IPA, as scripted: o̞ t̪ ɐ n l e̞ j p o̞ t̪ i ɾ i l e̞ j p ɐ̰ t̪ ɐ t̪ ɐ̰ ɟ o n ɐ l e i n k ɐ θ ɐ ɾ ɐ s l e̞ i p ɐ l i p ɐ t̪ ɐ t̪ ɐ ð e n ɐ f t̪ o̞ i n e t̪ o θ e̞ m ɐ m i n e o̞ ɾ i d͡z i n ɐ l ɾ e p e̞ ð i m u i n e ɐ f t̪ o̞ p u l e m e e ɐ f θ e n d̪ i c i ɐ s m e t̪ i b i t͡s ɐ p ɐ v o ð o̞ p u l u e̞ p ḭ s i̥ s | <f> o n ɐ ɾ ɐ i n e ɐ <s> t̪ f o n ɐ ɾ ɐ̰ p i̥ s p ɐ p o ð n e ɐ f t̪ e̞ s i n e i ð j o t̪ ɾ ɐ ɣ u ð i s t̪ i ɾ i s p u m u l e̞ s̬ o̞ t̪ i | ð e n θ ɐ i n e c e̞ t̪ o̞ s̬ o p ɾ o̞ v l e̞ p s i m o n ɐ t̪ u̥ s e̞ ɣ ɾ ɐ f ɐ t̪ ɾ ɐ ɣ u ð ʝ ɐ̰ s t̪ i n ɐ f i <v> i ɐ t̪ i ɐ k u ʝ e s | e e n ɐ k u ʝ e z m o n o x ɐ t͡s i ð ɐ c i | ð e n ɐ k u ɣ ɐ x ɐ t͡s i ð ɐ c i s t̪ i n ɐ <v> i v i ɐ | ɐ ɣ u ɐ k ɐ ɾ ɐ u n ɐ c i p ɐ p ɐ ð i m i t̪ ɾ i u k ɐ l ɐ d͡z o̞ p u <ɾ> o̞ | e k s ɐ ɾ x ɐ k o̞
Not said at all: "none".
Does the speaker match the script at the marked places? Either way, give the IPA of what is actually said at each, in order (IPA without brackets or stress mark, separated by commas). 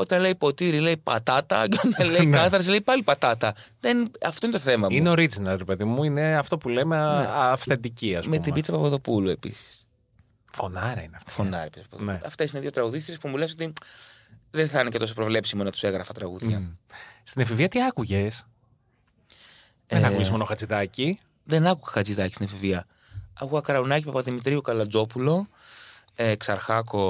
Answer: f, f, v, f, l